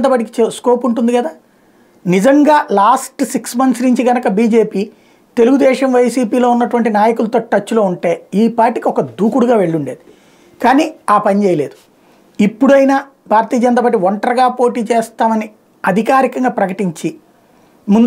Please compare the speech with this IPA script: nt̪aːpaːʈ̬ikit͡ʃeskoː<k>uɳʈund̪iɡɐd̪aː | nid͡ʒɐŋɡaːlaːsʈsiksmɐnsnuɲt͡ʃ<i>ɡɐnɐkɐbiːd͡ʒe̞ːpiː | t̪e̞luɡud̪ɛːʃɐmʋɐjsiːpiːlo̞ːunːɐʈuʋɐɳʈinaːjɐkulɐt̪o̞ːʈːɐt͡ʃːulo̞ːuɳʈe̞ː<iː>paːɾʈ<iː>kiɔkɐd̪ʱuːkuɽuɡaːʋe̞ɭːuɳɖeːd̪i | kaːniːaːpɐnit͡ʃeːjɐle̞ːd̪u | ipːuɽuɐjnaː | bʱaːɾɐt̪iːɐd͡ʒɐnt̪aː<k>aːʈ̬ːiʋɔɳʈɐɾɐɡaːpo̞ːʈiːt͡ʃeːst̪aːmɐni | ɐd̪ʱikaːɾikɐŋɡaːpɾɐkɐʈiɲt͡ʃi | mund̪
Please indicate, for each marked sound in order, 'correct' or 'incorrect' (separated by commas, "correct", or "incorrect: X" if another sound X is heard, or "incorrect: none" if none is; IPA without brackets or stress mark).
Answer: incorrect: p, correct, correct, incorrect: i, incorrect: p